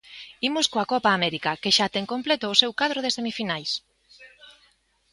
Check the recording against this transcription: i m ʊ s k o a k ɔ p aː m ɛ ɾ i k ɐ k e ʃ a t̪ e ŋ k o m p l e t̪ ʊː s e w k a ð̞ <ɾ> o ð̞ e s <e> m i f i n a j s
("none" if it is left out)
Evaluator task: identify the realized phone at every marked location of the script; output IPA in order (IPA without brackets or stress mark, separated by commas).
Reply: ɾ, e